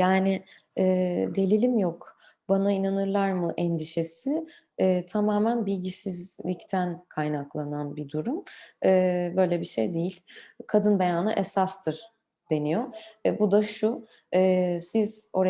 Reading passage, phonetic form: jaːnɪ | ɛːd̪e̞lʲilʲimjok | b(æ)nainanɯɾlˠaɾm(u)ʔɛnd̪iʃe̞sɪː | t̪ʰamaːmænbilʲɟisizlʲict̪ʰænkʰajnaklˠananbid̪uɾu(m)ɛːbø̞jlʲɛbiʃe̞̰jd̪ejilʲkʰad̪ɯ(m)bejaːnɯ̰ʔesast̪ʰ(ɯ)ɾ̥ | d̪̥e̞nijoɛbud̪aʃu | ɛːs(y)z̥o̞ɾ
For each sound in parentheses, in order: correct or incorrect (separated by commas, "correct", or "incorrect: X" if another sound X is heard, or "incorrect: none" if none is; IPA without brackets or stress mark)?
incorrect: a, incorrect: ɯ, correct, incorrect: n, correct, incorrect: i